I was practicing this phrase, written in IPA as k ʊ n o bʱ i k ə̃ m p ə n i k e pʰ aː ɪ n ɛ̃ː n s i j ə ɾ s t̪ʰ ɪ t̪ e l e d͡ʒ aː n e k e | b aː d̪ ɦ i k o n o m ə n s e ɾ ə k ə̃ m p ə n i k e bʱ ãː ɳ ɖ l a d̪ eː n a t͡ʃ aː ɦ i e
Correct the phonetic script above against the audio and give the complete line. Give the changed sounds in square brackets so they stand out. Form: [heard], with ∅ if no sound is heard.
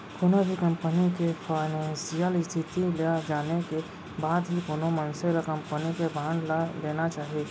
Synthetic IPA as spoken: k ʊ n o bʱ i k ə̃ m p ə n i k e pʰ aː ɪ n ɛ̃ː n s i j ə [l] s t̪ʰ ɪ t̪ [i] l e d͡ʒ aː n e k e | b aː d̪ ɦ i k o n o m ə n s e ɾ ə k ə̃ m p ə n i k e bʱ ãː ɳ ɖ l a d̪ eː n a t͡ʃ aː ɦ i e